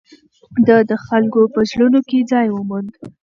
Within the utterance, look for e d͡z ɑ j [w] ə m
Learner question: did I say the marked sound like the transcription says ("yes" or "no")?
yes